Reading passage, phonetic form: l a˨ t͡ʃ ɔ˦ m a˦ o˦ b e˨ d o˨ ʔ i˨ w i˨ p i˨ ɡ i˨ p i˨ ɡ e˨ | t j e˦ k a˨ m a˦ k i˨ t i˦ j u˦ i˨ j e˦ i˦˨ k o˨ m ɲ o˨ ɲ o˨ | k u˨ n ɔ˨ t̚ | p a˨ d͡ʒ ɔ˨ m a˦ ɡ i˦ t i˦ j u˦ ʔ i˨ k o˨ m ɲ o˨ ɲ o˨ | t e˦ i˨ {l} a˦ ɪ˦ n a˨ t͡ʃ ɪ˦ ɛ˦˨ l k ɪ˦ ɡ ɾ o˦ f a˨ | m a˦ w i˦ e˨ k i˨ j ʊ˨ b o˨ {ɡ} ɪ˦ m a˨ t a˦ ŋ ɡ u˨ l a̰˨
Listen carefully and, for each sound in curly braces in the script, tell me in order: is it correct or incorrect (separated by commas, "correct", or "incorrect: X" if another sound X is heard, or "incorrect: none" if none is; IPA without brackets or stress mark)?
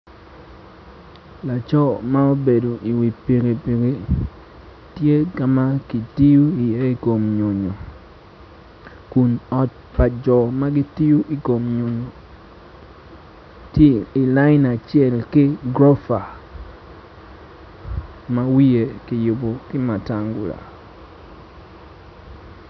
correct, incorrect: k